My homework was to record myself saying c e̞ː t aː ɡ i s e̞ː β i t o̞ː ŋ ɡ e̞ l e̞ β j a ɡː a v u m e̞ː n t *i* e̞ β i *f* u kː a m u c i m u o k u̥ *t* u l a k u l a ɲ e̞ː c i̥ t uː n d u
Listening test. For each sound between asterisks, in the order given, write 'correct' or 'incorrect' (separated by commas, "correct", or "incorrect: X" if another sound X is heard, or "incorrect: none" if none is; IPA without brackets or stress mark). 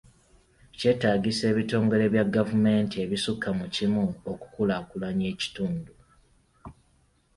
correct, incorrect: s, incorrect: k